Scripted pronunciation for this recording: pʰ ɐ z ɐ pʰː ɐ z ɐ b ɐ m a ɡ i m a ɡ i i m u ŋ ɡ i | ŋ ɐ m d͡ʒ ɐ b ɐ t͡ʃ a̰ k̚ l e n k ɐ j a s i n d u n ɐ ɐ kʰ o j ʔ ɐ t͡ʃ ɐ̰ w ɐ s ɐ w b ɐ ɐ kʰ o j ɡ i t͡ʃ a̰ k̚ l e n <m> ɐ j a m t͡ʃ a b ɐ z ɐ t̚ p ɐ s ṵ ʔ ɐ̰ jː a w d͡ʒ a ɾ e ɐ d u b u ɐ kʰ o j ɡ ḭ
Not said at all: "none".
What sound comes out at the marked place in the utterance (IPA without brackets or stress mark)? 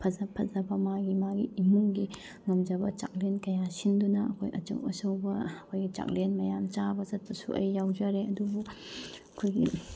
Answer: m